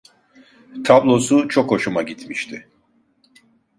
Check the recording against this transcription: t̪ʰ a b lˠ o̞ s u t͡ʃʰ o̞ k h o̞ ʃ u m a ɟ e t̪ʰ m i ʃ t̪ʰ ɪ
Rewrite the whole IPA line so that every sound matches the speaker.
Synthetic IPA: t̪ʰ a b lˠ o̞ s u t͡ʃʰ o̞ k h o̞ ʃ u m a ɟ i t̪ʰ m i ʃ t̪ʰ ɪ